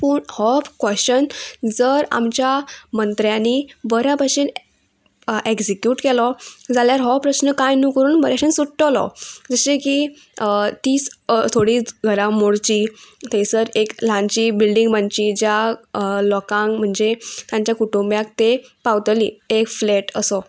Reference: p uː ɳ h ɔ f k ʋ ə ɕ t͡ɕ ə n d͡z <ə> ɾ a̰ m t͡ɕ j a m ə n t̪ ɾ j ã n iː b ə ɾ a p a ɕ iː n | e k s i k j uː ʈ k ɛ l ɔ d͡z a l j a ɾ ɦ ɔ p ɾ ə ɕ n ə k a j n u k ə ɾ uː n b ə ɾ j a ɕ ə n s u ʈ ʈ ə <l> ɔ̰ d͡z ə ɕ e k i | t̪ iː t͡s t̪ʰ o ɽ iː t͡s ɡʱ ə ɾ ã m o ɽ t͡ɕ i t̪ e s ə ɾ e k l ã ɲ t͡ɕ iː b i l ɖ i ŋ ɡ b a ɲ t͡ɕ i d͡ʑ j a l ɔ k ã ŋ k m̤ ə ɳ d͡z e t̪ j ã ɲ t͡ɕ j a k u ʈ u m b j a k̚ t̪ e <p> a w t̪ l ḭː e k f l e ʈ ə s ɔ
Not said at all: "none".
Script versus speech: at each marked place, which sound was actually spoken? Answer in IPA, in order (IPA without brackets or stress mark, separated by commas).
ə, l, p